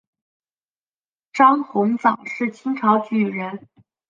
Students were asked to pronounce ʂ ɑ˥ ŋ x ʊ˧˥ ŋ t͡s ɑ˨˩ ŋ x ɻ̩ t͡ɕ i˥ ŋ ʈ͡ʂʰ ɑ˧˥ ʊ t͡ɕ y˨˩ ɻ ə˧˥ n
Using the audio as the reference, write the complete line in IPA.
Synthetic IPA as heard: ʈ͡ʂ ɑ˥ ŋ x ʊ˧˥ ŋ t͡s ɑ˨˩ ŋ ʂ ɻ̩ t͡ɕʰ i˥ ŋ ʈ͡ʂʰ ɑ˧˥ ʊ t͡ɕ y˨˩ ɻ ə˧˥ n